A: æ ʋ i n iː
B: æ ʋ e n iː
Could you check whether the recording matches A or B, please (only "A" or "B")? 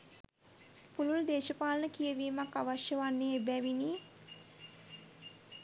A